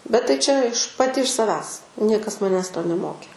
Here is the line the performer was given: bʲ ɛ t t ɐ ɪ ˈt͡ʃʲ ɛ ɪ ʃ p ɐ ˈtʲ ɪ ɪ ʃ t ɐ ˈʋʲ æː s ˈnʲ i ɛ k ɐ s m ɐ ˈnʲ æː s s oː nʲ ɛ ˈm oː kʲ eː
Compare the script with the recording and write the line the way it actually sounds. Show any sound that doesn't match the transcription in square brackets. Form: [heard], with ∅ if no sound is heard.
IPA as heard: bʲ ɛ t t ɐ ɪ ˈt͡ʃʲ ɛ ɪ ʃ p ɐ ˈtʲ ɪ ɪ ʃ [s] ɐ ˈʋʲ æː s ˈnʲ i ɛ k ɐ s m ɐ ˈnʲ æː s [t] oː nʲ ɛ ˈm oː kʲ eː